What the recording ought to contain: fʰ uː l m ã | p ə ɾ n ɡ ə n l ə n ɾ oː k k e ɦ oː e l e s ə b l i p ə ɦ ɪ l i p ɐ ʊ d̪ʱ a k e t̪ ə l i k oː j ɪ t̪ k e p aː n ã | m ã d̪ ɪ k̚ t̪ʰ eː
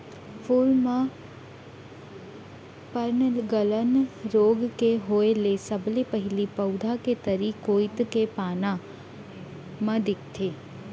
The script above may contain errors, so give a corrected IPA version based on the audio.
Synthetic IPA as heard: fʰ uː l m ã | p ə ɾ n ɡ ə l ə n ɾ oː ɡ k e ɦ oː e l e s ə b l i p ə ɦ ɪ l i p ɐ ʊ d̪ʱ a k e t̪ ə ɾ i k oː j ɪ t̪ k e p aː n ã | m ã d̪ ɪ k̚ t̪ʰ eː